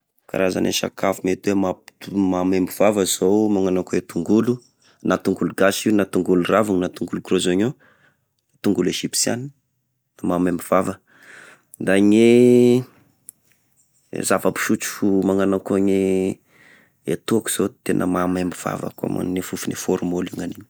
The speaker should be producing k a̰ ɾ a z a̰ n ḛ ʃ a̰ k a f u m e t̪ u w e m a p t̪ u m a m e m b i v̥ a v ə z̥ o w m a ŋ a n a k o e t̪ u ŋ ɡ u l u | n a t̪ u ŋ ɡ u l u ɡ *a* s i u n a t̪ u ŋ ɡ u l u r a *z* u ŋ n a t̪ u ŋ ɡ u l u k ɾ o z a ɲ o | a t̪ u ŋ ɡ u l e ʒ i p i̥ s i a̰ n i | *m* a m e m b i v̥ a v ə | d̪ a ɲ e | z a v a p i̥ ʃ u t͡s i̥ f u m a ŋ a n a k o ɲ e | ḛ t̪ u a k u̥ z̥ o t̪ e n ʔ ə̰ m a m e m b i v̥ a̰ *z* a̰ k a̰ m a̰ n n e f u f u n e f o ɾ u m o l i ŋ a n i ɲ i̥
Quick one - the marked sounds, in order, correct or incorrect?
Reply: correct, incorrect, correct, incorrect

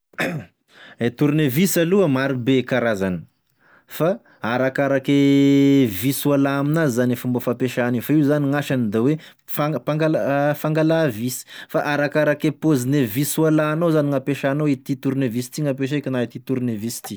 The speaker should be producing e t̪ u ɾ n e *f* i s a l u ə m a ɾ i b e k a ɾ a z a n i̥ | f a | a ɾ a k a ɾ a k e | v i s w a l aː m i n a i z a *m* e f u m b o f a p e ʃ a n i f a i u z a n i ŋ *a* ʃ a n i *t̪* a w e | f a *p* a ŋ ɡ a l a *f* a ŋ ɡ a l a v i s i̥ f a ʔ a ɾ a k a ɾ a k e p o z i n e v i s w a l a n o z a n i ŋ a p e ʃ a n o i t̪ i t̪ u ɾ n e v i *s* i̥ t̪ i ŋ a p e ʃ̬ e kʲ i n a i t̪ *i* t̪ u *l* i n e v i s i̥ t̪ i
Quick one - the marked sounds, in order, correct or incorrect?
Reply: incorrect, incorrect, correct, incorrect, correct, correct, correct, correct, incorrect

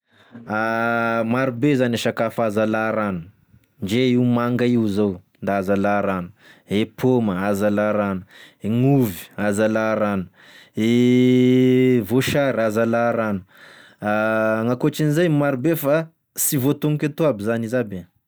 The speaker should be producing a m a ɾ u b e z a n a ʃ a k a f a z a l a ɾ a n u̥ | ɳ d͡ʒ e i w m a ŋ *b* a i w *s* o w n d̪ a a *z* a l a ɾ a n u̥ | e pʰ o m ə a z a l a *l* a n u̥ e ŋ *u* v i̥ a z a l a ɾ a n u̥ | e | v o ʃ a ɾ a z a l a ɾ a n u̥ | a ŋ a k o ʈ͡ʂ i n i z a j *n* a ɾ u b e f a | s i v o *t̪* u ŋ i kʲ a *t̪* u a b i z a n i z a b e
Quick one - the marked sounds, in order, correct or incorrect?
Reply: incorrect, incorrect, correct, incorrect, correct, incorrect, correct, correct

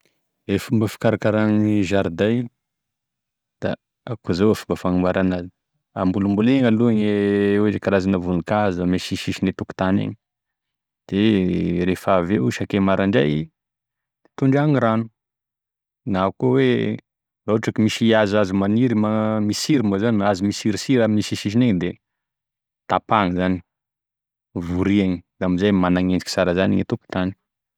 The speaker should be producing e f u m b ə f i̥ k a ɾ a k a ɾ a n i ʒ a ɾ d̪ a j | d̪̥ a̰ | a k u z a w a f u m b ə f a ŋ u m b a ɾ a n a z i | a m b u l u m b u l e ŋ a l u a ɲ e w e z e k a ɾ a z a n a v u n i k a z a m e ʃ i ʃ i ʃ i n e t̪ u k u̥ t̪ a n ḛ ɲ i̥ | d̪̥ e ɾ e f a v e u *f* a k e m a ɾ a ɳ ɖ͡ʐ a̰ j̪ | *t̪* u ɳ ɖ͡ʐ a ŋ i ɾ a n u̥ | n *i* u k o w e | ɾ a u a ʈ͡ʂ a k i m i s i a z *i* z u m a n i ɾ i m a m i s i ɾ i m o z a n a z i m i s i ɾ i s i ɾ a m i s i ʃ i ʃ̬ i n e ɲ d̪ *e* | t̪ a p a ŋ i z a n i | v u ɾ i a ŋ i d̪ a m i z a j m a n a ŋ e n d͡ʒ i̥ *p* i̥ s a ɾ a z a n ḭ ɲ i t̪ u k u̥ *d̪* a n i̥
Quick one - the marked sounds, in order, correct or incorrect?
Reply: incorrect, correct, incorrect, incorrect, correct, incorrect, incorrect

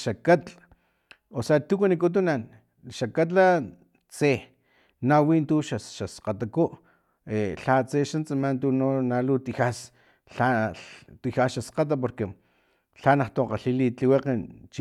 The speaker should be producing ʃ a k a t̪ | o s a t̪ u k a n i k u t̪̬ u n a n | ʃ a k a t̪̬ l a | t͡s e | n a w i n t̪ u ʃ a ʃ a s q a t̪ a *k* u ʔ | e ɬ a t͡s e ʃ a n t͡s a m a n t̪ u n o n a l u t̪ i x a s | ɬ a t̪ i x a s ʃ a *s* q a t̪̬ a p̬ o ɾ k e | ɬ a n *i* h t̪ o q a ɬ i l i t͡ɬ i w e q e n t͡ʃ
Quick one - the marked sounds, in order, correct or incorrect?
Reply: correct, correct, incorrect

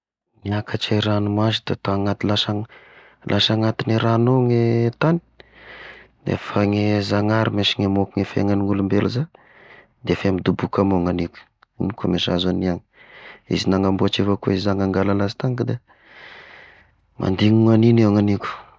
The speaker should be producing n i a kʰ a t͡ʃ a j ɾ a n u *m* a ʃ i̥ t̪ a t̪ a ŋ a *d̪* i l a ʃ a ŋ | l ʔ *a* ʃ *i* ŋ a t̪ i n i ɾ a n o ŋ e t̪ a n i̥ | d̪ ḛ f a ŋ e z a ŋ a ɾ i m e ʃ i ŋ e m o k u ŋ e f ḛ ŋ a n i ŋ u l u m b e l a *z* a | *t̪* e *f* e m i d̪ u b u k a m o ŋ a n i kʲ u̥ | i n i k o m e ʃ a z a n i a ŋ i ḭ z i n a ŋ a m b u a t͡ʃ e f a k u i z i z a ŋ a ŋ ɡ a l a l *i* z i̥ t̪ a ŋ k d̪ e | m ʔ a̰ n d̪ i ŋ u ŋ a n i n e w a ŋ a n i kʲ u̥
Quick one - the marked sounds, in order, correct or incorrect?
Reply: correct, incorrect, correct, incorrect, correct, incorrect, correct, incorrect

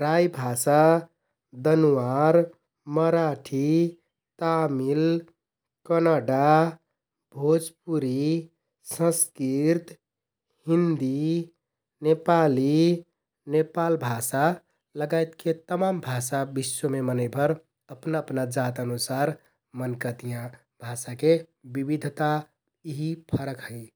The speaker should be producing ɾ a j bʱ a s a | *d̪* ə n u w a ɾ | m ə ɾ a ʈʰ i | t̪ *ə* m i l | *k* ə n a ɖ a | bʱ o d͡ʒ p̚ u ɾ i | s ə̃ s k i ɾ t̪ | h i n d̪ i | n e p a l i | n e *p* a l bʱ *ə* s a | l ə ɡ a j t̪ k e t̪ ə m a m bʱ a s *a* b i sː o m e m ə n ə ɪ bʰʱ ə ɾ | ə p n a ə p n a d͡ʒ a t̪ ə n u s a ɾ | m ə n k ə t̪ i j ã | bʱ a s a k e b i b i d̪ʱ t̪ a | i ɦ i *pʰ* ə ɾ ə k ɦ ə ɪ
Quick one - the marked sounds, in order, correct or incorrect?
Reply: correct, incorrect, correct, correct, incorrect, correct, correct

